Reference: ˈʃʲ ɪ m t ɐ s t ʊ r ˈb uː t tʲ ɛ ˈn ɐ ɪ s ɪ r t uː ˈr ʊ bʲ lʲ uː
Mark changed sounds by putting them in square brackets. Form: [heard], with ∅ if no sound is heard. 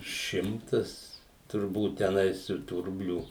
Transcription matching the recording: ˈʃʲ ɪ m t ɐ s t ʊ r ˈb uː t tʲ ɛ ˈn ɐ ɪ s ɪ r t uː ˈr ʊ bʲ lʲ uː